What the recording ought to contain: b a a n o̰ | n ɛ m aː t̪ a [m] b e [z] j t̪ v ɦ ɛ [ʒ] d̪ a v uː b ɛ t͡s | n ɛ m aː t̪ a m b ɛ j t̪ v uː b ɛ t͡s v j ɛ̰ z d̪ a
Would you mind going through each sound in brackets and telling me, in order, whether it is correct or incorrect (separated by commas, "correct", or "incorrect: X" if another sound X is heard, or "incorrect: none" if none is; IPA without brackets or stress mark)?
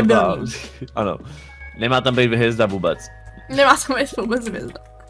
correct, incorrect: none, incorrect: z